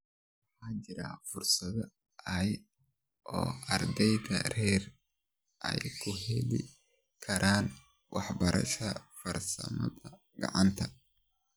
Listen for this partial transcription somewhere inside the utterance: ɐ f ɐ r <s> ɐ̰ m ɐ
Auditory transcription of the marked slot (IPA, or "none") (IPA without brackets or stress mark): s